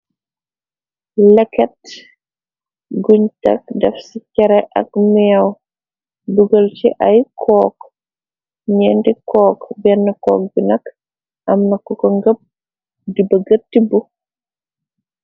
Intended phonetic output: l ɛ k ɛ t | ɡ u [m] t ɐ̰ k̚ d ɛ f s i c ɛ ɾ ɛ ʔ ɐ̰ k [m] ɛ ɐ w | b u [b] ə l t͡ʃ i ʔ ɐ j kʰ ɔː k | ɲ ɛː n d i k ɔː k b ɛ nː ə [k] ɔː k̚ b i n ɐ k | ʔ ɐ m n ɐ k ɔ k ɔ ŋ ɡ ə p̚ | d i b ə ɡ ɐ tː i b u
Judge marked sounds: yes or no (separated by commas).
no, yes, no, yes